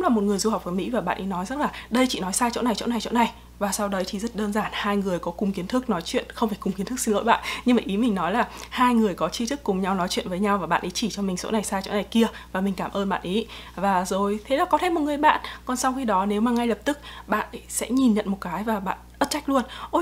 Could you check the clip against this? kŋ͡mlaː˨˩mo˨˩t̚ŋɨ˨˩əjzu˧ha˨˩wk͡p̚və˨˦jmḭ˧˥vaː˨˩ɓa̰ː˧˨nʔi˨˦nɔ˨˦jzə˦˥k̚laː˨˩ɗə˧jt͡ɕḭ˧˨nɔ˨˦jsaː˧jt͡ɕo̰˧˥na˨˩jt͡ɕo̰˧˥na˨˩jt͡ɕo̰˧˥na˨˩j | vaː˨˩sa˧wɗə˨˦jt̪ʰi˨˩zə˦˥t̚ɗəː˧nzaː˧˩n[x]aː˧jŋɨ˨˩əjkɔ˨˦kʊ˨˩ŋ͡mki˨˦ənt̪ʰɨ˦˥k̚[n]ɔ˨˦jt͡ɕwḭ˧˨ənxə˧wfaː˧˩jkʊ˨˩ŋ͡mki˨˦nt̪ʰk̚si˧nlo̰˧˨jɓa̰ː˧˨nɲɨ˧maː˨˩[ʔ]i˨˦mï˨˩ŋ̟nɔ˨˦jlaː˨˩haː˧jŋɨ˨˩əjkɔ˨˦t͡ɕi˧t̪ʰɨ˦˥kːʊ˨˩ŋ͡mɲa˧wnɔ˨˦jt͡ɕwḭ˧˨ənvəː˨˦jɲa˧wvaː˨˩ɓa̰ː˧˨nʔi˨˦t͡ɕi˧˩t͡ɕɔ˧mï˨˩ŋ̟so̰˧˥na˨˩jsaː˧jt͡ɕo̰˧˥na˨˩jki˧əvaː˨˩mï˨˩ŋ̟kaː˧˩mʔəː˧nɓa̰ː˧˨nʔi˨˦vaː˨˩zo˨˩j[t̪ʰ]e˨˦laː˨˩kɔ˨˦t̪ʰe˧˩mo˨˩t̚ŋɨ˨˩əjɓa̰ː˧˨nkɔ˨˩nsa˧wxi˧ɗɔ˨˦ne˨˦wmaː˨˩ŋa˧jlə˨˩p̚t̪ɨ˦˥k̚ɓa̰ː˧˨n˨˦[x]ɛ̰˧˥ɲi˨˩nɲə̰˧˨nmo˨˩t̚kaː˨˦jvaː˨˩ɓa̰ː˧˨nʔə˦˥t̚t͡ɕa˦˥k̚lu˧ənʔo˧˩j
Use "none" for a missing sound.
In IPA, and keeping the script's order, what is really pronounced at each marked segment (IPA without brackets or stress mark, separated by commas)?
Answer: h, n, ʔ, t̪ʰ, s